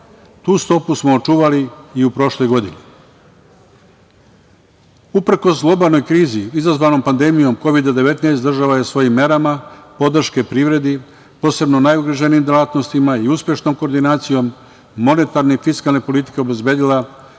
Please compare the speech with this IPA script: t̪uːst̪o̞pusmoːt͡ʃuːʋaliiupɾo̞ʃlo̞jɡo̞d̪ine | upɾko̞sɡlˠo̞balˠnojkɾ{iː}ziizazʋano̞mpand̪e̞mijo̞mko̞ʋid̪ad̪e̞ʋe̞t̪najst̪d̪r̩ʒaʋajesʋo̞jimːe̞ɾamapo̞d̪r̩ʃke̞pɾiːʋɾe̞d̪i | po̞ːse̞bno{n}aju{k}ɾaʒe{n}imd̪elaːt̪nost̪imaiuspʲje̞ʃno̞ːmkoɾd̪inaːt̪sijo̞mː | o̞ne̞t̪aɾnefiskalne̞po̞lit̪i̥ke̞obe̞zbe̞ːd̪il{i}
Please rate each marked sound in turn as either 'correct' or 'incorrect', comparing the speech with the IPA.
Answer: correct, correct, incorrect, correct, incorrect

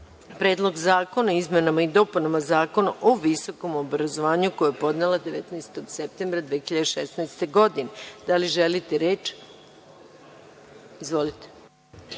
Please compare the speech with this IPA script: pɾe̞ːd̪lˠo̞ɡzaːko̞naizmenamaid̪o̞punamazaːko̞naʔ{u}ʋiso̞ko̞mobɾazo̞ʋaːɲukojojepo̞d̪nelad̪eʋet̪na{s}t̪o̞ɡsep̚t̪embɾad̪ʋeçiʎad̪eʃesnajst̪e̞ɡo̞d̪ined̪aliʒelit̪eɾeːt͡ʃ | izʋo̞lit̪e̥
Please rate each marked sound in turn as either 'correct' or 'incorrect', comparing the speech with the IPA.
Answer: incorrect, correct

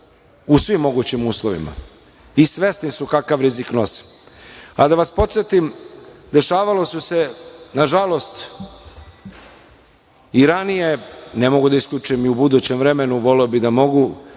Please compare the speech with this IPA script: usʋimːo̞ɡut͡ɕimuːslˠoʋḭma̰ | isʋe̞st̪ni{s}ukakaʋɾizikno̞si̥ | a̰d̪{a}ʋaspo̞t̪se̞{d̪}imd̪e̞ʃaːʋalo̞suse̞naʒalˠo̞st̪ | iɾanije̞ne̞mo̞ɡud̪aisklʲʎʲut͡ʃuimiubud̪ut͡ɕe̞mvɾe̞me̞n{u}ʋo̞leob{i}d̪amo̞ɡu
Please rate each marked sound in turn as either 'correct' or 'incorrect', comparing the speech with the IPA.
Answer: correct, correct, incorrect, correct, correct

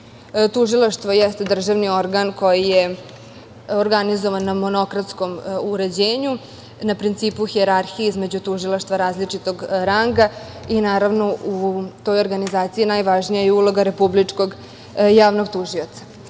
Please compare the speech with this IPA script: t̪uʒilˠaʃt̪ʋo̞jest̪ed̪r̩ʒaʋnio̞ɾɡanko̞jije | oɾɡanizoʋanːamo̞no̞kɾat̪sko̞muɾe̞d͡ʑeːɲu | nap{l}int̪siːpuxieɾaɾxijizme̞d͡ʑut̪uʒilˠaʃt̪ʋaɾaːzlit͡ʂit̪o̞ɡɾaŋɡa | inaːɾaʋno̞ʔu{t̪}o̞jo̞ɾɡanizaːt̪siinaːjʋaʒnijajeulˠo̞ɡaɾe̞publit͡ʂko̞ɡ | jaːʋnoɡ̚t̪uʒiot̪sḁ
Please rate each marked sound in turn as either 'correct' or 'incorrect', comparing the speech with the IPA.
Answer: incorrect, correct

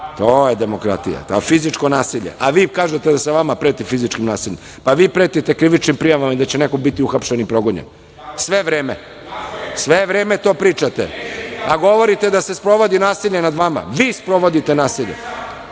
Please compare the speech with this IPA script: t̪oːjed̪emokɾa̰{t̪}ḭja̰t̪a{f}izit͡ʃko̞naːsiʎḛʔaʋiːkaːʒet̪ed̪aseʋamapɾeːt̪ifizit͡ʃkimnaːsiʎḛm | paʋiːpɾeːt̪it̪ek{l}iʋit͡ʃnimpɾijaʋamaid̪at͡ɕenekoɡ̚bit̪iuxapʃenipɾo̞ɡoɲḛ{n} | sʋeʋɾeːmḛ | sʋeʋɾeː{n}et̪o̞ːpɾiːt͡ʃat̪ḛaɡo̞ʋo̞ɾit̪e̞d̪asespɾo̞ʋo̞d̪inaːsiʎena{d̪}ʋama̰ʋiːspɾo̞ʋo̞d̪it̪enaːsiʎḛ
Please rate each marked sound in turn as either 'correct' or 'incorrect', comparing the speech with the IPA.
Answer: correct, correct, incorrect, correct, incorrect, correct

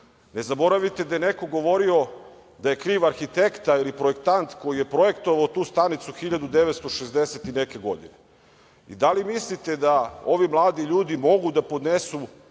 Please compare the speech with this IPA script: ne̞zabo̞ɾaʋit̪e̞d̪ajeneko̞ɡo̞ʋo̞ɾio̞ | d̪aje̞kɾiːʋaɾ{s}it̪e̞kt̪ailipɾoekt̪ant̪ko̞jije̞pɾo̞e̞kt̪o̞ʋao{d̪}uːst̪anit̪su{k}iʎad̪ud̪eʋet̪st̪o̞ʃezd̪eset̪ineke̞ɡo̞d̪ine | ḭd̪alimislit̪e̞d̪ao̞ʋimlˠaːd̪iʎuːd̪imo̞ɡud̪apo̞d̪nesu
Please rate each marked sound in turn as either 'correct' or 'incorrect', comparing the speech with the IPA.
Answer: incorrect, incorrect, incorrect

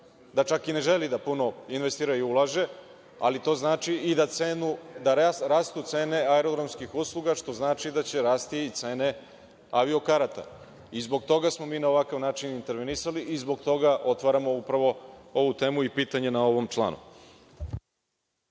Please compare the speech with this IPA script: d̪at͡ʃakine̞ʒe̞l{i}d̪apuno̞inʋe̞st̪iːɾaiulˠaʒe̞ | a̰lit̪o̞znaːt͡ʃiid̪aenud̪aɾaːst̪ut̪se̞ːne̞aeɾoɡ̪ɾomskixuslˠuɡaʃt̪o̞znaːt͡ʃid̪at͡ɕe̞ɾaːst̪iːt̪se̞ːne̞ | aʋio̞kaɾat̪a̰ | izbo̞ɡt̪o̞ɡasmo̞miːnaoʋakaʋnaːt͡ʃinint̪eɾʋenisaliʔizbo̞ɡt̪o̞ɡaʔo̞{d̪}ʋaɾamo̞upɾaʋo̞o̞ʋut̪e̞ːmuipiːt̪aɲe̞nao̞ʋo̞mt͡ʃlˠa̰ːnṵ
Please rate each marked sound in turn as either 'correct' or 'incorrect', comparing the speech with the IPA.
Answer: correct, incorrect

